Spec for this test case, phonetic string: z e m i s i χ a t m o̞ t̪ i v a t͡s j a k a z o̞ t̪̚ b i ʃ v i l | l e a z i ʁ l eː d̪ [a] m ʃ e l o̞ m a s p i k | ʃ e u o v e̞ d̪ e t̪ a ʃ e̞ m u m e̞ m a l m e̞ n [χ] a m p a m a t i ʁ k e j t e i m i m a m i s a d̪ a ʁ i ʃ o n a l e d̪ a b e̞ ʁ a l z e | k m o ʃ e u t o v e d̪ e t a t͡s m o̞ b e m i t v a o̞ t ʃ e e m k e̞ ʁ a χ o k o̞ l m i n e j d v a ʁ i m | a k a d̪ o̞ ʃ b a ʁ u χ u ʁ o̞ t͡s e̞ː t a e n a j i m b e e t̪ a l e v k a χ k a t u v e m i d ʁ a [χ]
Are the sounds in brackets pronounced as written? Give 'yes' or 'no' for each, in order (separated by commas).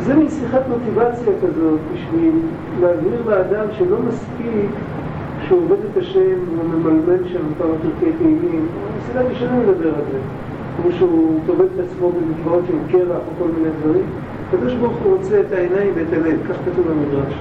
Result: yes, no, no